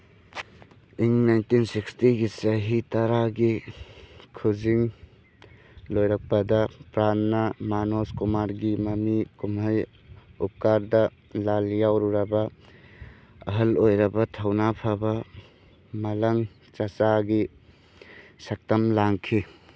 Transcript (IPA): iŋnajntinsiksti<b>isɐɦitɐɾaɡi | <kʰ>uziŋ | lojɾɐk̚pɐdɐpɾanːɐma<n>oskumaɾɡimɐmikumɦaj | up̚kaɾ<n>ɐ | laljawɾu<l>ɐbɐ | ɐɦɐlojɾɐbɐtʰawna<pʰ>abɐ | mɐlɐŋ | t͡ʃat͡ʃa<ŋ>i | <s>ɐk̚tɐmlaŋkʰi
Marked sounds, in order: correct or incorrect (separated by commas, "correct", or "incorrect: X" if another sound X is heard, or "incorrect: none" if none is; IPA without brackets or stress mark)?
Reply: incorrect: ɡ, correct, correct, incorrect: d, incorrect: ɾ, correct, incorrect: ɡ, correct